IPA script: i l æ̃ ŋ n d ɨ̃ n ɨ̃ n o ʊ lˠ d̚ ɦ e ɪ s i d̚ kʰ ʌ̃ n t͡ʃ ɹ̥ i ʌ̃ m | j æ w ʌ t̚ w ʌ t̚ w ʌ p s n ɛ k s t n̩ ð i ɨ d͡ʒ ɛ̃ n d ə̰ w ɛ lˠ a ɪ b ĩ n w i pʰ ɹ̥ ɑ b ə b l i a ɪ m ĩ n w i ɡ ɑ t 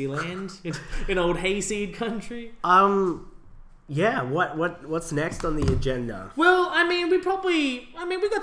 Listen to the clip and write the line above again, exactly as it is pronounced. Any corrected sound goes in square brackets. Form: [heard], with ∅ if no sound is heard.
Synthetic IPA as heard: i l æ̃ [n] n d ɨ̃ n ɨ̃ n o ʊ lˠ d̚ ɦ e ɪ s i d̚ kʰ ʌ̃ n t͡ʃ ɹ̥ i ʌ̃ m | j æ w ʌ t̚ w ʌ t̚ w ʌ [t] s n ɛ k s t n̩ ð i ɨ d͡ʒ ɛ̃ n d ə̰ w ɛ lˠ a ɪ [m] ĩ n w i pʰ ɹ̥ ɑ b ə b l i a ɪ m ĩ n w i ɡ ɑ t